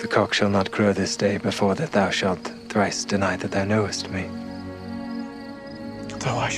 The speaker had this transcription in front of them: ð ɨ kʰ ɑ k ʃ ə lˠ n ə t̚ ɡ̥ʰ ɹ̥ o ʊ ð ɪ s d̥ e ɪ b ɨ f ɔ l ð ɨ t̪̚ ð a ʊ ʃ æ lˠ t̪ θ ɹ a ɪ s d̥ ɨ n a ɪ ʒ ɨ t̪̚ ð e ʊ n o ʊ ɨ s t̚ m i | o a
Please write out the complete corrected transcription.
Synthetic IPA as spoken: ð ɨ kʰ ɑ k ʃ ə lˠ n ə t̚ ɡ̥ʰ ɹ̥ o ʊ ð ɪ s d̥ e ɪ b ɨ f ɔ ɹ ð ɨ t̪̚ ð a ʊ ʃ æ lˠ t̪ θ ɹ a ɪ s d̥ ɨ n a ɪ ð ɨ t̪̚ ð a ʊ n o ʊ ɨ s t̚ m i | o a